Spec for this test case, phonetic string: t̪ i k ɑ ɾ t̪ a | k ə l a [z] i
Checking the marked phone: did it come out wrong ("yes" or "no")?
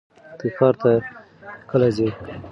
no